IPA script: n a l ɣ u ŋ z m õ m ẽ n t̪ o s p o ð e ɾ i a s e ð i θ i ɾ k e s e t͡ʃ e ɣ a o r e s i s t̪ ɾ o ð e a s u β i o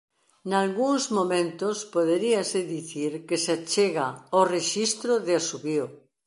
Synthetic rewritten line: n a l ɣ u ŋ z m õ m ẽ n t̪ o s p o ð e ɾ i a s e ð i θ i ɾ k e s a t͡ʃ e ɣ a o r e ʃ i s t̪ ɾ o ð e a s u β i o